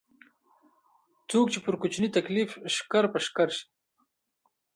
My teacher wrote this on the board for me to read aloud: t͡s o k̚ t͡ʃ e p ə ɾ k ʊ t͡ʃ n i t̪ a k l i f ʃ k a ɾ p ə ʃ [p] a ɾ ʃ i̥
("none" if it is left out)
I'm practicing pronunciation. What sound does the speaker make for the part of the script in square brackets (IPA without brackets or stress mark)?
k